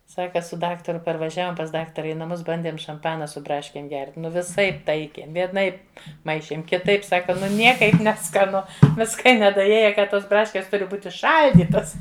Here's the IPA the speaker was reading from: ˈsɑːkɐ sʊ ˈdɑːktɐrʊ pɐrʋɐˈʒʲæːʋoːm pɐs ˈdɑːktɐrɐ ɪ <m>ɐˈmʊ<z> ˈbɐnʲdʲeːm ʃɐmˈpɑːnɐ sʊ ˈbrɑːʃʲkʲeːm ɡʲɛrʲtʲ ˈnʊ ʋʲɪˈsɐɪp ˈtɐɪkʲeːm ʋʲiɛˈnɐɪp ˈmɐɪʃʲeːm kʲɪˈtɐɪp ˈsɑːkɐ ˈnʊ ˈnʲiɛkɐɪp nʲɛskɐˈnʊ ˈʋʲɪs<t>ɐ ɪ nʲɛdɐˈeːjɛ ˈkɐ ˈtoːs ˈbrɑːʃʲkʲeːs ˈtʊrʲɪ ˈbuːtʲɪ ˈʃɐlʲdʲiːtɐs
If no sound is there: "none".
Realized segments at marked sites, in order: n, s, k

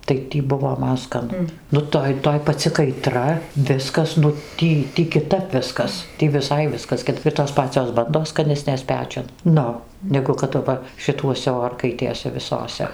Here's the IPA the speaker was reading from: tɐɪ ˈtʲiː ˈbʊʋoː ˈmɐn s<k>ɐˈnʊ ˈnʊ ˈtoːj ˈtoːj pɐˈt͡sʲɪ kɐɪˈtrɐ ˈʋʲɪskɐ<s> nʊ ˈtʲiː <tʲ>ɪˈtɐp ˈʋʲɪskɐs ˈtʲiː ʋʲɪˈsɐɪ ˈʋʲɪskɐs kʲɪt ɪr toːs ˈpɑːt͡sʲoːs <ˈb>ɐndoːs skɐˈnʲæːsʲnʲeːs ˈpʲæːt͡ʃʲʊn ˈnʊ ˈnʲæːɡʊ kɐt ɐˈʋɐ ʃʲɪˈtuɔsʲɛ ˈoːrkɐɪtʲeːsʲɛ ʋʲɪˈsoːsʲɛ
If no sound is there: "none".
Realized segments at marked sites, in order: k, s, kʲ, b

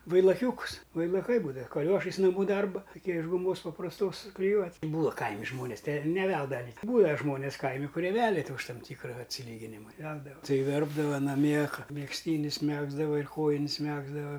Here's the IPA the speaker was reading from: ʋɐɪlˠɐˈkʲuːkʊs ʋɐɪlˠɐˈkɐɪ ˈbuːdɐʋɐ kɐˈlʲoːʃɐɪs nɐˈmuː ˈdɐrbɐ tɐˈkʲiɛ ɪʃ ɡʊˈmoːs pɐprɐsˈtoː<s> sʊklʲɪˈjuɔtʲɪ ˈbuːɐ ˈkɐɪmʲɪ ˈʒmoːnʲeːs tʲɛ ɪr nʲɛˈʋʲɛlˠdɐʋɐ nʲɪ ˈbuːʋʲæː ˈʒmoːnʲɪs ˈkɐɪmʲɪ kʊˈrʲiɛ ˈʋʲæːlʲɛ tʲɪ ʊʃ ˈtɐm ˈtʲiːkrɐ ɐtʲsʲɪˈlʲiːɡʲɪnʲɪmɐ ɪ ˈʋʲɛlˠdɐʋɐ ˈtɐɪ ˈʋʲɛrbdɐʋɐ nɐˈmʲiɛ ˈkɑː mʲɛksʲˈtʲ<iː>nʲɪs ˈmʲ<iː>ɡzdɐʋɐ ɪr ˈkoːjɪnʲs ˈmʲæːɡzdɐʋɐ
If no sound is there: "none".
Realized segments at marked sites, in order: s, iː, æː

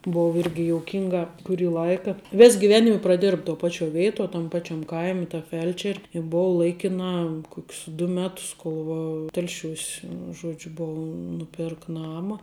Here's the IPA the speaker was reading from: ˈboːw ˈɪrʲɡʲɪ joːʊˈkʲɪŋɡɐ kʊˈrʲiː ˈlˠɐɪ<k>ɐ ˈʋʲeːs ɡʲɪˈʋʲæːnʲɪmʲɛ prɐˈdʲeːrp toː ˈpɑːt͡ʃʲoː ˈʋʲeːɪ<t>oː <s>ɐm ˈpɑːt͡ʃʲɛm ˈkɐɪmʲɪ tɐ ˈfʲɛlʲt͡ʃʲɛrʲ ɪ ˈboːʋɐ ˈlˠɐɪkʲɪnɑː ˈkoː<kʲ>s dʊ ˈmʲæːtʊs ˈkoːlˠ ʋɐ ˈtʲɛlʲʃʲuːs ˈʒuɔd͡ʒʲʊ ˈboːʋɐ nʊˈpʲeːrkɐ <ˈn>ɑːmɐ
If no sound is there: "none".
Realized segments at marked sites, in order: k, t, t, kʲ, n

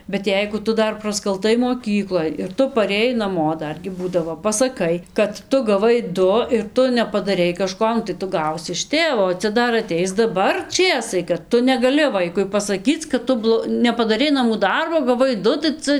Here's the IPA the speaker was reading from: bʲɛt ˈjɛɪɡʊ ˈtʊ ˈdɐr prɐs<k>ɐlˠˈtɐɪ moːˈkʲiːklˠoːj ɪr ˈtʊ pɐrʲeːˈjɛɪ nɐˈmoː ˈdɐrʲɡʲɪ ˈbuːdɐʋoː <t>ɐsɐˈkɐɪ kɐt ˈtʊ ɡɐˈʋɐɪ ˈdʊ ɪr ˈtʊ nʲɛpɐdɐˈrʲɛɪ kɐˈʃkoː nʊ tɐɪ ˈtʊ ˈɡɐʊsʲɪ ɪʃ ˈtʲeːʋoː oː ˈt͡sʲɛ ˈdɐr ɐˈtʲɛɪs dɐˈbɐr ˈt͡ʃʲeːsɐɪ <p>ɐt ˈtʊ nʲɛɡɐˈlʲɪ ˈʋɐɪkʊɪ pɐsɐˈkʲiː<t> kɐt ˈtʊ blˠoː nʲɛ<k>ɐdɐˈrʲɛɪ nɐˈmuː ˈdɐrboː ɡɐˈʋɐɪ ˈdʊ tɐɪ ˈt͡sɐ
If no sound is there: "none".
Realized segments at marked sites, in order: k, p, k, t͡s, p

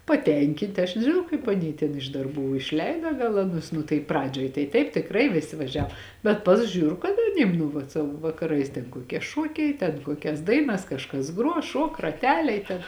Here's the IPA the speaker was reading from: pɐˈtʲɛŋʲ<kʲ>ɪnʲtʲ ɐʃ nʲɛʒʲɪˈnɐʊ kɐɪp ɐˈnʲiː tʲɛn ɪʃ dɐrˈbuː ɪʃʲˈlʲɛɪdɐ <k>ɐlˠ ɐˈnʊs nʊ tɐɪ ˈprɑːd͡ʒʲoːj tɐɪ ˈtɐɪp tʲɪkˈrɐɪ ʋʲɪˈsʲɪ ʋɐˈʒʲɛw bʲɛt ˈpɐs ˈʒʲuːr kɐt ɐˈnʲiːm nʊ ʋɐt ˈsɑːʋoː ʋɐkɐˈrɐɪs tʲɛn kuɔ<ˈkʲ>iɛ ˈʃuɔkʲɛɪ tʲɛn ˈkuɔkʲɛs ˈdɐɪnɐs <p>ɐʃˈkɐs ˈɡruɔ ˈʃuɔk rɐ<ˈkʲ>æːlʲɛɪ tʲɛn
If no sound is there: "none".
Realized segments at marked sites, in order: kʲ, ɡ, kʲ, k, tʲ

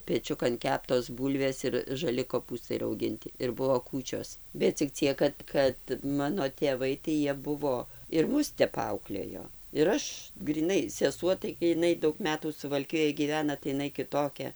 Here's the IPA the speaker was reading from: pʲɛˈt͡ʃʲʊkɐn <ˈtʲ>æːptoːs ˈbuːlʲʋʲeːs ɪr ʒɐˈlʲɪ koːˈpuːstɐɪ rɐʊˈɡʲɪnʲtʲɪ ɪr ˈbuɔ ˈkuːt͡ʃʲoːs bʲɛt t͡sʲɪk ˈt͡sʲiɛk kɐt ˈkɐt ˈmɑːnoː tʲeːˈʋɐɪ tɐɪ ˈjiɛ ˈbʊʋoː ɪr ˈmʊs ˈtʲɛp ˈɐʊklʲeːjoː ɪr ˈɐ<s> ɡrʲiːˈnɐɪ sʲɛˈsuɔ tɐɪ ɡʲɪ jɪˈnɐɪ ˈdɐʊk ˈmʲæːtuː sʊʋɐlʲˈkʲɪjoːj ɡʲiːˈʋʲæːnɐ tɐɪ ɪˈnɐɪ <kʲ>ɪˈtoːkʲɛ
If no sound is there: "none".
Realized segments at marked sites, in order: kʲ, ʃ, kʲ

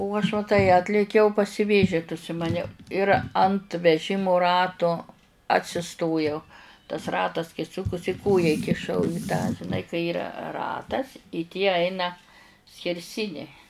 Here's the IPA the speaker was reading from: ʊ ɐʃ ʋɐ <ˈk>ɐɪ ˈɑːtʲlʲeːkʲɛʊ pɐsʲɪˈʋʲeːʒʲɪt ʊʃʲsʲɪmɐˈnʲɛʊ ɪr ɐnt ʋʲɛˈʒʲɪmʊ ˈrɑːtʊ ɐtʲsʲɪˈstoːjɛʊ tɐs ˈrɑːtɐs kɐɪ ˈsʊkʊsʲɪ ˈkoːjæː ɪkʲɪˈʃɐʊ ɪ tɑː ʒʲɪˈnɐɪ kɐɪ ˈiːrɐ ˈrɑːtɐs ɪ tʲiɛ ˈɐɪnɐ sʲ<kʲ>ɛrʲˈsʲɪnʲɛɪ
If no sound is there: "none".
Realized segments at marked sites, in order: t, kʲ

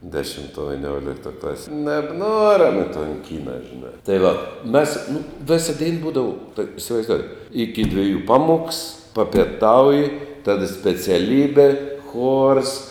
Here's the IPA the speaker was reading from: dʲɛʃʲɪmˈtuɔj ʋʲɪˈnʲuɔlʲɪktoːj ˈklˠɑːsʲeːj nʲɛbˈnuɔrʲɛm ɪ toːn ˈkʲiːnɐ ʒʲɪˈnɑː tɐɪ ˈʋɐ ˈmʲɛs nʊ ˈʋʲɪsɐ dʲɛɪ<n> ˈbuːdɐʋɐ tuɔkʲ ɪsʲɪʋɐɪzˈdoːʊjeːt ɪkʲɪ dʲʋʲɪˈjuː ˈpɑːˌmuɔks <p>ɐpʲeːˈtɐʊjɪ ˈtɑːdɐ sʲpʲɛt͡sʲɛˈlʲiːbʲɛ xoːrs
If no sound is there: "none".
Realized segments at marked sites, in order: n, p

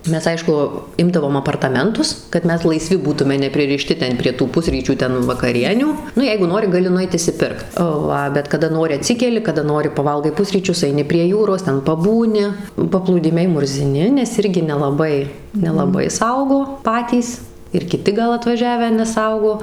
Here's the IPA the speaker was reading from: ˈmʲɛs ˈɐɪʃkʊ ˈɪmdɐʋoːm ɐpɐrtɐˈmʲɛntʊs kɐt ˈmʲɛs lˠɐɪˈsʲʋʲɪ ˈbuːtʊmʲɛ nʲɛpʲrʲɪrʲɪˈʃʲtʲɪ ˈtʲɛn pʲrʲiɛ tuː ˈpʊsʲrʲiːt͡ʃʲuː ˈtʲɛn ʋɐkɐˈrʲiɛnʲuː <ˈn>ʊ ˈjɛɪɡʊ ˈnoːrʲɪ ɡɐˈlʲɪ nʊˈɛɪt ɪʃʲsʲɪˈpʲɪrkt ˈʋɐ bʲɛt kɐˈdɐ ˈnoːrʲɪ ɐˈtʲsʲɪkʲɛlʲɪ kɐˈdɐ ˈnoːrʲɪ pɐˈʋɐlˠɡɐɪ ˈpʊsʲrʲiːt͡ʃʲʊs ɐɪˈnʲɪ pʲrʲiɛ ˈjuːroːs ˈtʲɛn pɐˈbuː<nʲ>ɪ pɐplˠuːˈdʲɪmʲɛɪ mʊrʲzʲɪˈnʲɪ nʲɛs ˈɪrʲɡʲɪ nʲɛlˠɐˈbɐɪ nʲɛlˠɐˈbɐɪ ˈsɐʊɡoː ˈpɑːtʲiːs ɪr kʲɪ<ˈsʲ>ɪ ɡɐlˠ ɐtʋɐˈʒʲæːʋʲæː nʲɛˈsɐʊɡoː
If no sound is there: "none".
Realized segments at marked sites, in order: n, nʲ, tʲ

